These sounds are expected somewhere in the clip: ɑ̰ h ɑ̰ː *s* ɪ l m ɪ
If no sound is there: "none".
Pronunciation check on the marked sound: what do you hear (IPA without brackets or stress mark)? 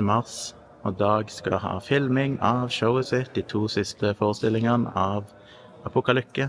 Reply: f